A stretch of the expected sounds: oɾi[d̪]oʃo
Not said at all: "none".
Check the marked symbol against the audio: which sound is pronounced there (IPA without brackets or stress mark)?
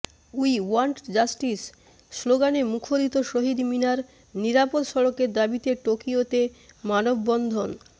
t̪